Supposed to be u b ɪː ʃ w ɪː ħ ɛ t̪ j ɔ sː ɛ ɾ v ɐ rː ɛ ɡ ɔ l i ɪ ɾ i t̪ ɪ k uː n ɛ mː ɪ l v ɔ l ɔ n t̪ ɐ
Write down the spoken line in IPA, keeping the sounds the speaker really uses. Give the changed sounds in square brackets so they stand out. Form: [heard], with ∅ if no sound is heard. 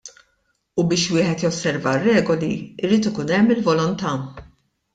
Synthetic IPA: u b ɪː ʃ w ɪː ħ ɛ t̪ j ɔ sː ɛ ɾ v ɐ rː [ɛː] ɡ ɔ l i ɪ ɾ [iː] t̪ ɪ k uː n ɛ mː ɪ l v ɔ l ɔ n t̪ ɐ